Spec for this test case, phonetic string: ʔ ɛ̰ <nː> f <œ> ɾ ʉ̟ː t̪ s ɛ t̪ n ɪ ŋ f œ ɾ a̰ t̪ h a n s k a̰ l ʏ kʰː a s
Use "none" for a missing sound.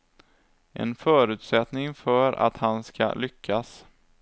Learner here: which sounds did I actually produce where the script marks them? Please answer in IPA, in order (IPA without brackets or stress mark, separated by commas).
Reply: n, œː